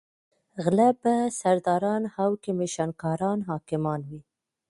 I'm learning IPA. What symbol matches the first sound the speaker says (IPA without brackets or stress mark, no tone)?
ɣ